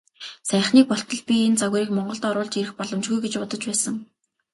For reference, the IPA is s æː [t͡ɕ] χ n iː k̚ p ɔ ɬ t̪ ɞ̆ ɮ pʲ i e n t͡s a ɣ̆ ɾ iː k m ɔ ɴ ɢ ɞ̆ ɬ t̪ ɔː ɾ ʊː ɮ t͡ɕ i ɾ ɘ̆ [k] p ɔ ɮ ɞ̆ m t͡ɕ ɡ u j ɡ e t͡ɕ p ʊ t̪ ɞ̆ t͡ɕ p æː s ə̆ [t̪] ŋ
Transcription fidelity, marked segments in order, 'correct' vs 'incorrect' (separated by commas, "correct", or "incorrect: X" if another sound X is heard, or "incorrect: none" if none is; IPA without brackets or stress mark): incorrect: none, incorrect: x, incorrect: none